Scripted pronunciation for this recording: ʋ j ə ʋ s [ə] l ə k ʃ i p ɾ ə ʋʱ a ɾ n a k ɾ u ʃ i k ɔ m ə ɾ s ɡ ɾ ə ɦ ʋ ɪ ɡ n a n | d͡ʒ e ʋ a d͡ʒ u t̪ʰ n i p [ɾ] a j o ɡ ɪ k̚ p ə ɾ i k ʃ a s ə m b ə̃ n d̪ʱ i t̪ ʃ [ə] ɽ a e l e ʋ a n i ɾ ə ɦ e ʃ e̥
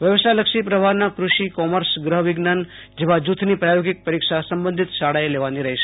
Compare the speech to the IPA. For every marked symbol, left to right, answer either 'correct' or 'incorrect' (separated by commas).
incorrect, correct, incorrect